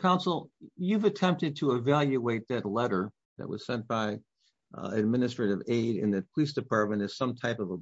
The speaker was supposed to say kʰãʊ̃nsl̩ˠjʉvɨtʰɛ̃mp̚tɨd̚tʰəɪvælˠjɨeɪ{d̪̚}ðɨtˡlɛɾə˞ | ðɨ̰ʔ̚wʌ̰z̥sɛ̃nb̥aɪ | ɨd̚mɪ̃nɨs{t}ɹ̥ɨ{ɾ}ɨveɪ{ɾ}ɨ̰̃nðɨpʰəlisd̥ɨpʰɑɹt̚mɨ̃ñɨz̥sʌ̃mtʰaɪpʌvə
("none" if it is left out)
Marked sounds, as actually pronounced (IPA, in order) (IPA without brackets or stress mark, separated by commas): t̪̚, t, ɾ, ɾ